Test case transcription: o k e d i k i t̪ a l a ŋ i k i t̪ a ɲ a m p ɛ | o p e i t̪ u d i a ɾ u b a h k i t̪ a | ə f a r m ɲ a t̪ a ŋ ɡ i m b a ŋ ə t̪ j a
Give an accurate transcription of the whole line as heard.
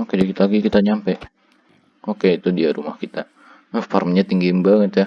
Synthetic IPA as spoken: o k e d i k i t̪ a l a ɡ i k i t̪ a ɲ a m p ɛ | o k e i t̪ u d i a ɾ u m a h k i t̪ a | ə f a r m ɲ a t̪ i ŋ ɡ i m b a ŋ ə t̪ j a